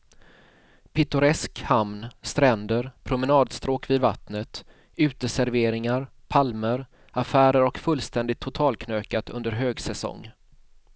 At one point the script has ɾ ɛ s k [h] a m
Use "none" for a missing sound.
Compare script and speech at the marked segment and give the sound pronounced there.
h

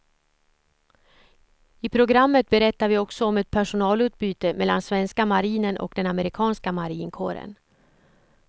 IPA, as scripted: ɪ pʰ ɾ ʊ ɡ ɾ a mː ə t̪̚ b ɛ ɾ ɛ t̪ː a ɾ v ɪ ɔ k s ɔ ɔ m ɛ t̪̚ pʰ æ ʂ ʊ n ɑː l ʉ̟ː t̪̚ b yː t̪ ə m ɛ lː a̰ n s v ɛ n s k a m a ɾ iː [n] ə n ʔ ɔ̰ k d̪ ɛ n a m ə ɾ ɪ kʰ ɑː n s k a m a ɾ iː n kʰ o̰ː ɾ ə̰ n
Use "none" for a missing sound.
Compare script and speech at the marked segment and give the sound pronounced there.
n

